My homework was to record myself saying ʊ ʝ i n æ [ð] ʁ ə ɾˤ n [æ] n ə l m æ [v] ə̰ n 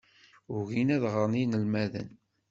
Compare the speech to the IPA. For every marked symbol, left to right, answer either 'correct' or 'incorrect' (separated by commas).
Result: correct, incorrect, incorrect